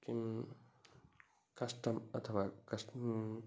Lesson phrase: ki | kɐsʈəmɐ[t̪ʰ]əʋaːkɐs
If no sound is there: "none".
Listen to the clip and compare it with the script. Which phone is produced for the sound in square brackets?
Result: t̪ʰ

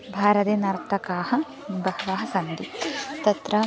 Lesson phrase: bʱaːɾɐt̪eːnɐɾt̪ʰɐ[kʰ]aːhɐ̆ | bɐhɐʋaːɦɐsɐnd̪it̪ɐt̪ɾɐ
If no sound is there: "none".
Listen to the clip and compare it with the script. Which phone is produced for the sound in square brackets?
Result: k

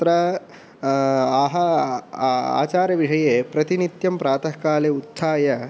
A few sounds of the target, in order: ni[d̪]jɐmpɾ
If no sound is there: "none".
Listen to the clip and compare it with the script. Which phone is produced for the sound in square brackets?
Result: t̪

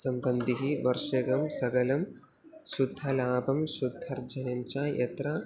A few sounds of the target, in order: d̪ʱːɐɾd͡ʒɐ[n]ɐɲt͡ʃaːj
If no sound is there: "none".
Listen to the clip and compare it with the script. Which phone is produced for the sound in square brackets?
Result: n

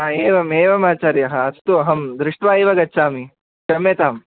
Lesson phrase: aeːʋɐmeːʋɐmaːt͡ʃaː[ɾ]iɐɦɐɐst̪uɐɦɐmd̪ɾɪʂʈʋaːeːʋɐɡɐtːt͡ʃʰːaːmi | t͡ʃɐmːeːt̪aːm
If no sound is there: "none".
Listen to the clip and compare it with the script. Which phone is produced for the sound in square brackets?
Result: ɾ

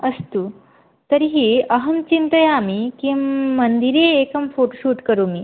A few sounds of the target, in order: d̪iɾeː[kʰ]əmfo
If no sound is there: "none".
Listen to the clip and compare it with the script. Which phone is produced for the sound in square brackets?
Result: k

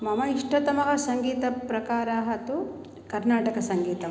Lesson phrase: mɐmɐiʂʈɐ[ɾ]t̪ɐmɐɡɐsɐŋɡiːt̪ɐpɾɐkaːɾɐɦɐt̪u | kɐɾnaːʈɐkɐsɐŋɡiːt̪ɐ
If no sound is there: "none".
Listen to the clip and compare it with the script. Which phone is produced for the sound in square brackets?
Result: none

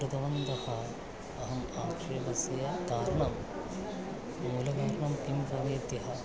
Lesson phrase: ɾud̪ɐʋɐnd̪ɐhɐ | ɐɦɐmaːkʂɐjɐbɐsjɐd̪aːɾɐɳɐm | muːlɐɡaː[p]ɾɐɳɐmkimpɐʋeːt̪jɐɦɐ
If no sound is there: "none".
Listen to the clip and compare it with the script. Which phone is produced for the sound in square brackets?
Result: none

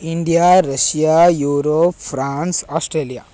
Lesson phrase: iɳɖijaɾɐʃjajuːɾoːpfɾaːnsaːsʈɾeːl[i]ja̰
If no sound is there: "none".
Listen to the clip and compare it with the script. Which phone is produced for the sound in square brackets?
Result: i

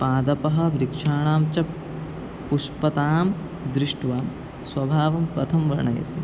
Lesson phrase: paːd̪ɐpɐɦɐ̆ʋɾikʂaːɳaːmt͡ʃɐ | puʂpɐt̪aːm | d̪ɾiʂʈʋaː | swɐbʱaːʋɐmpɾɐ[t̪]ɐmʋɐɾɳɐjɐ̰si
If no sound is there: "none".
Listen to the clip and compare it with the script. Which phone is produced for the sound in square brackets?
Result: t̪ʰ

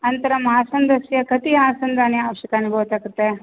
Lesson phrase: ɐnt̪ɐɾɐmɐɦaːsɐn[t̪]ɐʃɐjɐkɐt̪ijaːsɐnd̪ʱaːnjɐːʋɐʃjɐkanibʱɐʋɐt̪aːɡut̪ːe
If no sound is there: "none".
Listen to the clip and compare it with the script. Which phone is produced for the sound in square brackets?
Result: d̪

